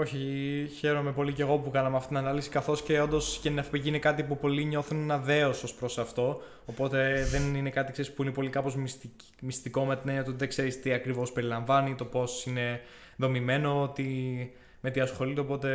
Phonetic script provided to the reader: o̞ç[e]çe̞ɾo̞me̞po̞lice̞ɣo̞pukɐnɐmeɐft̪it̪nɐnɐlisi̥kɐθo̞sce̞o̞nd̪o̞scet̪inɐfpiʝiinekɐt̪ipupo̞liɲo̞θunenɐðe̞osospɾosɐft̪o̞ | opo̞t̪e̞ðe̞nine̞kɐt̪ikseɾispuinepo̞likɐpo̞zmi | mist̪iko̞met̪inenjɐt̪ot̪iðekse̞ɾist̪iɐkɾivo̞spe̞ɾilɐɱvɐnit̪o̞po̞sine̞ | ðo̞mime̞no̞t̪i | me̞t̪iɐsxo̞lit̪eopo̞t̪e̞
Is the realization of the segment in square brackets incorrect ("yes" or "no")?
yes